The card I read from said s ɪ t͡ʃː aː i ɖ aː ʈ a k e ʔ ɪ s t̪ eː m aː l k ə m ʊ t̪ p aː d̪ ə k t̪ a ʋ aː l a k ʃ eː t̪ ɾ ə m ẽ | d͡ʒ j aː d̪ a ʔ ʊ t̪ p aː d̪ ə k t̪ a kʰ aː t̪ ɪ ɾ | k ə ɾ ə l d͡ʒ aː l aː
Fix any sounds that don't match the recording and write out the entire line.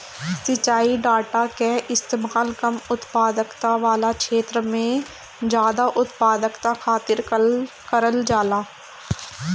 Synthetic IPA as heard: s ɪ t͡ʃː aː i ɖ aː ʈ a k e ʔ ɪ s t̪ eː m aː l k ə m ʊ t̪ p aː d̪ ə k t̪ a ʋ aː l a k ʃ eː t̪ ɾ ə m ẽ | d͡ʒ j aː d̪ a ʔ ʊ t̪ p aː d̪ ə k t̪ a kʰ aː t̪ ɪ ɾ | k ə ɾ ə l d͡ʒ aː l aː